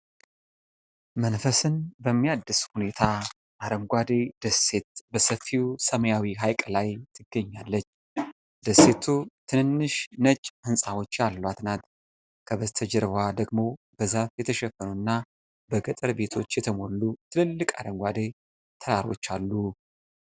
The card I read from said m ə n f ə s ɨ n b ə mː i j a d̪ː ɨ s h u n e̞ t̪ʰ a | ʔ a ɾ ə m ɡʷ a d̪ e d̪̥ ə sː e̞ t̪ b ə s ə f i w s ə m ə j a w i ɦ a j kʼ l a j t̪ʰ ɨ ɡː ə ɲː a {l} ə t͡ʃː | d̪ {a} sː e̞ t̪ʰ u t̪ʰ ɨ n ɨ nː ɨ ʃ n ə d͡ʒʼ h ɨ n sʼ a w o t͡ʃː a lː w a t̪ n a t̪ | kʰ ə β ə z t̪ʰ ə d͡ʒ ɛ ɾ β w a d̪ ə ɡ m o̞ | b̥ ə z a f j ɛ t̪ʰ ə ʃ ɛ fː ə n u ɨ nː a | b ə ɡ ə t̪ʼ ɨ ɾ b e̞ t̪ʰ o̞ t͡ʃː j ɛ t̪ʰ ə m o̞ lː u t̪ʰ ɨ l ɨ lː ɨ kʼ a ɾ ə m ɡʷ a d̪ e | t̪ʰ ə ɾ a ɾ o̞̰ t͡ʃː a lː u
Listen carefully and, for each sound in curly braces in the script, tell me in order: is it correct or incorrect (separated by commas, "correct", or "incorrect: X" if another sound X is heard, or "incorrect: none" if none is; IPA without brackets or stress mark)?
incorrect: lː, incorrect: ə